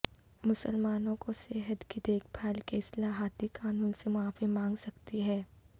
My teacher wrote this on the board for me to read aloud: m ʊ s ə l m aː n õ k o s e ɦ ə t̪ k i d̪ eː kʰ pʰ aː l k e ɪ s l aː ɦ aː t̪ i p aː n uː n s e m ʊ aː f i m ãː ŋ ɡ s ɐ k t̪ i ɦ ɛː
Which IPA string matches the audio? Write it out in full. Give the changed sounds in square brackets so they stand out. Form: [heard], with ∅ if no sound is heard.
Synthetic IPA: m ʊ s ə l m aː n õ k o s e ɦ ə t̪ k i d̪ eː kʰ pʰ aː l k e ɪ s l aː ɦ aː t̪ i [k] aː n uː n s e m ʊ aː f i m ãː ŋ ɡ s ɐ k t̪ i ɦ ɛː

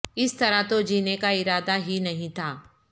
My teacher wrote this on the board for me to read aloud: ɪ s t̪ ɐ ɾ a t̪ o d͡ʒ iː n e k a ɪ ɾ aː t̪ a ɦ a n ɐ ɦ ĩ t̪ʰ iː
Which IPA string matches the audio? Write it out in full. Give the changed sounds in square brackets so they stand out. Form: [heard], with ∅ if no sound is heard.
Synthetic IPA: ɪ s t̪ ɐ ɾ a t̪ o d͡ʒ iː n e k a ɪ ɾ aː [d̪] a ɦ [i] n ɐ ɦ ĩ t̪ʰ [aː]

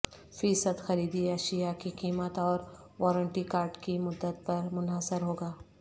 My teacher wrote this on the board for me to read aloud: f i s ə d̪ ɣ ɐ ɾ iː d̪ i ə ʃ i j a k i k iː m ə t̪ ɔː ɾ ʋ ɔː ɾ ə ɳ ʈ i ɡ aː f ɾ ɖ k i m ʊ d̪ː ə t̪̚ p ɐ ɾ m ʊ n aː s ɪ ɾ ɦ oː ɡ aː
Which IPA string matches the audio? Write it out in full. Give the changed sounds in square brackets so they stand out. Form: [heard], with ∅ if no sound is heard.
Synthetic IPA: f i s ə d̪ [x] ɐ ɾ iː d̪ i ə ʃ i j a k i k iː m ə t̪ ɔː ɾ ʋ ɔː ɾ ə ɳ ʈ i [k] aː [∅] ɾ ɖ k i m ʊ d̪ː ə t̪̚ p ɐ ɾ m ʊ n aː s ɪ ɾ ɦ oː ɡ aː

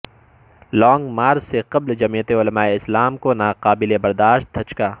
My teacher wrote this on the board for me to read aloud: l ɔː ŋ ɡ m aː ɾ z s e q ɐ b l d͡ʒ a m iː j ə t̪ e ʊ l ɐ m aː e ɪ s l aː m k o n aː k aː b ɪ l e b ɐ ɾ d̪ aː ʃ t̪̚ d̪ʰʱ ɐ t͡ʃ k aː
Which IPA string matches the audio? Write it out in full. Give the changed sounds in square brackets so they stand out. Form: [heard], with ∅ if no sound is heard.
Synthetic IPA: l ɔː ŋ ɡ m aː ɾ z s e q ɐ b l d͡ʒ [ɐ] m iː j ə t̪ e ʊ l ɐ m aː e ɪ s l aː m k o n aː [q] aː b ɪ l e b ɐ ɾ d̪ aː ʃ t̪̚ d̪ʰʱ ɐ t͡ʃ k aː

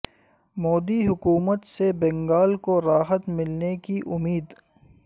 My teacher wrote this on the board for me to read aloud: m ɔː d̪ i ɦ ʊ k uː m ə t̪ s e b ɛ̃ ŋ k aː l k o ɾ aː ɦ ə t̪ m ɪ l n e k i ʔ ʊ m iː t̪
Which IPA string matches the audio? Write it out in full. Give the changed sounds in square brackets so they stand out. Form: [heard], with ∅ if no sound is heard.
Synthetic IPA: m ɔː d̪ i ɦ ʊ k uː m ə t̪ s e b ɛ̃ ŋ [ɡ] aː l k o ɾ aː ɦ ə t̪ m ɪ l n e k i ʔ ʊ m iː [d̪]

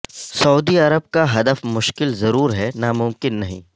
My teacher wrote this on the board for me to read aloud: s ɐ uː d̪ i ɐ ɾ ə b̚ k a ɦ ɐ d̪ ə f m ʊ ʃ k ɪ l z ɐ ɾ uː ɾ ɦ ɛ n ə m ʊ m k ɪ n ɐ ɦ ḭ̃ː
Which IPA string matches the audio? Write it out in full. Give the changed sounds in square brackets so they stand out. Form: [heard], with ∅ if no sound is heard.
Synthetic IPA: s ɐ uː d̪ i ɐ ɾ ə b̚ k a ɦ ɐ d̪ ə f m ʊ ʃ k ɪ l z ɐ ɾ uː ɾ ɦ ɛ n [a] m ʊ m k ɪ [nː] ɐ ɦ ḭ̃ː

